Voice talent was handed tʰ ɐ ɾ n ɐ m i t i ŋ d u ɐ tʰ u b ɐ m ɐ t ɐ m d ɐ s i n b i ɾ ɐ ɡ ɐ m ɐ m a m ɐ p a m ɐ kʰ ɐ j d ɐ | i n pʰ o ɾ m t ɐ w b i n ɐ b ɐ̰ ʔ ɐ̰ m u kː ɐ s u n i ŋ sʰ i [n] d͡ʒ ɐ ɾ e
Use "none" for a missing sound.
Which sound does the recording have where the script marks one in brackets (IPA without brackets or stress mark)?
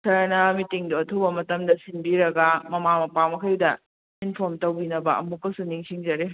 ŋ